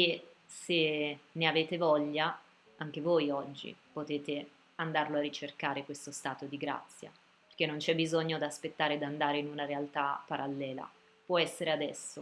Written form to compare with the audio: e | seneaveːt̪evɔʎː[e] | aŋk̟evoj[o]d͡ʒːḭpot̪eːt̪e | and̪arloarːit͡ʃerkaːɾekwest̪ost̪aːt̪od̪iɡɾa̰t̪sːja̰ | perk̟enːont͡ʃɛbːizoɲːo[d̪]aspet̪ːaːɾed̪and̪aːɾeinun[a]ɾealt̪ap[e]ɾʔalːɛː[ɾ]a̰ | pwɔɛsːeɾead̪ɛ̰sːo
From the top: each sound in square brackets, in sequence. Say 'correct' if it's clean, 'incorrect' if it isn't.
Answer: incorrect, incorrect, correct, correct, incorrect, incorrect

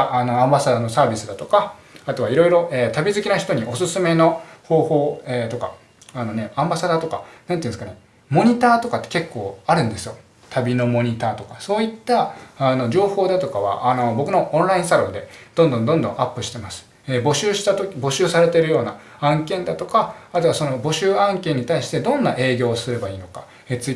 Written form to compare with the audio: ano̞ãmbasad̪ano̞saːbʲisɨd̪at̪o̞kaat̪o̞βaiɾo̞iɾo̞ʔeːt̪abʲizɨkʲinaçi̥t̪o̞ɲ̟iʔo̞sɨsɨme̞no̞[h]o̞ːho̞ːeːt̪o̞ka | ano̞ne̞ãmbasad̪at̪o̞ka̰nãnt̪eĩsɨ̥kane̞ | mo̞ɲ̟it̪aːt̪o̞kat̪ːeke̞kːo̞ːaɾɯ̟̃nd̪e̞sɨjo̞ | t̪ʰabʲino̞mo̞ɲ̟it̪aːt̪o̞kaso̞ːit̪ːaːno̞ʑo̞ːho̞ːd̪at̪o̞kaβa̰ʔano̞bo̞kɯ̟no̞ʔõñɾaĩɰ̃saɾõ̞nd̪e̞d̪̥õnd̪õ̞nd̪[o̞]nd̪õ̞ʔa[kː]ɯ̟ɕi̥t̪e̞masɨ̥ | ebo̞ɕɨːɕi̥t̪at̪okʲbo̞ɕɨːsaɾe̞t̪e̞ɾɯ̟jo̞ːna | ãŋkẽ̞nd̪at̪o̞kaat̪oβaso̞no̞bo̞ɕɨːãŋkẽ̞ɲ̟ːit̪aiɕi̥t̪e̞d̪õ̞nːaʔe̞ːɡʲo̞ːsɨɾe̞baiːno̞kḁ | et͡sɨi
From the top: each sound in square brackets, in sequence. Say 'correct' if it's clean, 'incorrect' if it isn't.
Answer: correct, incorrect, incorrect

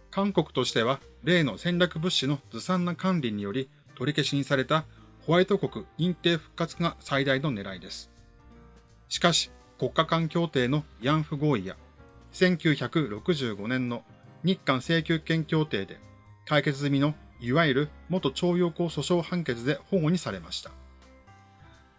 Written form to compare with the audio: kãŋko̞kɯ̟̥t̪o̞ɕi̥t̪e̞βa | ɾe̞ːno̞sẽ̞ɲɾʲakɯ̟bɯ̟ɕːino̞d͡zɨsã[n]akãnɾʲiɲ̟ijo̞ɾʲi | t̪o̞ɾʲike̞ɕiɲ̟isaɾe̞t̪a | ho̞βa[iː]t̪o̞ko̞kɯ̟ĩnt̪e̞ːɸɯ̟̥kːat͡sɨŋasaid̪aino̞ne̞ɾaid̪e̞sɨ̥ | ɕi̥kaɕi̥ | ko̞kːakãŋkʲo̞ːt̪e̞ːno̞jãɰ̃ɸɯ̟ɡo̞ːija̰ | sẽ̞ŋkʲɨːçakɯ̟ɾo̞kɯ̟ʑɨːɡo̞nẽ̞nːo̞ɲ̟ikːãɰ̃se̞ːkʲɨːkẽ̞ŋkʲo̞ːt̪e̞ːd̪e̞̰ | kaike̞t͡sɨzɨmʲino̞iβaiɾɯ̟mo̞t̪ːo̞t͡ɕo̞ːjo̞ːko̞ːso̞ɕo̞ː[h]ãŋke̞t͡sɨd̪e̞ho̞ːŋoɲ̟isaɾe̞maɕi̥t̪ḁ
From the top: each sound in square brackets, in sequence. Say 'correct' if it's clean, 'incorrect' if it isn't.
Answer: incorrect, incorrect, correct

